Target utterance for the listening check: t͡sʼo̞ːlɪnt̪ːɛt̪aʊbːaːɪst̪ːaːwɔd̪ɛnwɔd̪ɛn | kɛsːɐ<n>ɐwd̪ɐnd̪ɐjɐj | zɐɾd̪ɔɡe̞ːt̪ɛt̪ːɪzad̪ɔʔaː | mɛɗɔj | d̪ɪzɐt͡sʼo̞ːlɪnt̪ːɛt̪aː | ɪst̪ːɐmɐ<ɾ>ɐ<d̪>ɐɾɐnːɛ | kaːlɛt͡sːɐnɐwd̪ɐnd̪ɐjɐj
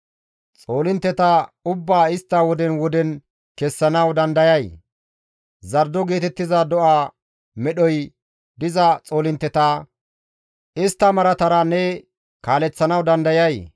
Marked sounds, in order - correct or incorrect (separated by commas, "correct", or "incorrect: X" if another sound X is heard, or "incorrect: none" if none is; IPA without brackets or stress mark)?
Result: correct, correct, incorrect: t̪